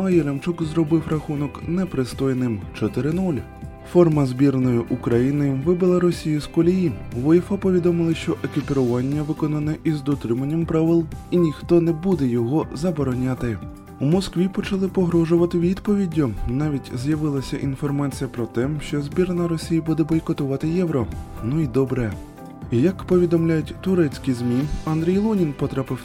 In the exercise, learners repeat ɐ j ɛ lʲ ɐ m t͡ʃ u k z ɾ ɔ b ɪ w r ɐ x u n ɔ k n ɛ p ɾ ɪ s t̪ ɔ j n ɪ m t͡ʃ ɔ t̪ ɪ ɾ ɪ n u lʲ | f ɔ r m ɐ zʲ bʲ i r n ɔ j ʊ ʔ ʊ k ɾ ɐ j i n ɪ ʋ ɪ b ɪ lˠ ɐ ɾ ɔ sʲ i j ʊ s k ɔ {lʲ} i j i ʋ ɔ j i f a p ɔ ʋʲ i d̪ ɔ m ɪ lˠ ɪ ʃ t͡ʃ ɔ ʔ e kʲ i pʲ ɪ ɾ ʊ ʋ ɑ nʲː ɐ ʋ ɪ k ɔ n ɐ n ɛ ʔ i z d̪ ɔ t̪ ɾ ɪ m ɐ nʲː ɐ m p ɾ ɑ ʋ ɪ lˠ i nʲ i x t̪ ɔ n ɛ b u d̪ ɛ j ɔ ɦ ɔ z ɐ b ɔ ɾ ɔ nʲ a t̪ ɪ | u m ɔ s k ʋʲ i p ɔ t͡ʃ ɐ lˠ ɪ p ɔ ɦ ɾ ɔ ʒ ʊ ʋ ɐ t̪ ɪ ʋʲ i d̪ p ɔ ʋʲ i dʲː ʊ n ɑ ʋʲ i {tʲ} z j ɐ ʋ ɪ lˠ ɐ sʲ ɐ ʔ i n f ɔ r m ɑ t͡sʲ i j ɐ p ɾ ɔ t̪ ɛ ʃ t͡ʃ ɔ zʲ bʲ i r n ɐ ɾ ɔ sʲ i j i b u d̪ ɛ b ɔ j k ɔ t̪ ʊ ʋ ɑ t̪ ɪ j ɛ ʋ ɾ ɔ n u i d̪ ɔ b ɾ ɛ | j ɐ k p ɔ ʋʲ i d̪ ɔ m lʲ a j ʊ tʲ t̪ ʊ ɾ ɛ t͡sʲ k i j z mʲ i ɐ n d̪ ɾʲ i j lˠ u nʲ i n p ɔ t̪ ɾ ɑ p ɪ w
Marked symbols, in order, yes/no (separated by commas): yes, yes